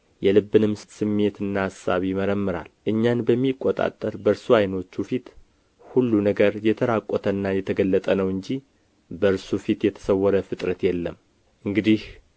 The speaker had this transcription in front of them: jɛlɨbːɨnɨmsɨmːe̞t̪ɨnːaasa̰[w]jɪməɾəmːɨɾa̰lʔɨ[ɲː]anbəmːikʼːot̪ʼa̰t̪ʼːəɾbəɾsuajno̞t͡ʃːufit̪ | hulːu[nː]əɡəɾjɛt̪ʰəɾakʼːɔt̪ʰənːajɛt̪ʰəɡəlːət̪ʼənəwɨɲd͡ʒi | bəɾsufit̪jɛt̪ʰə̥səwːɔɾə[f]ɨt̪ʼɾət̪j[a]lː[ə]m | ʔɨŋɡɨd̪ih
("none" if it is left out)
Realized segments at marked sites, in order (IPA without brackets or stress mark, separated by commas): β, ɲː, n, f, ɛ, ə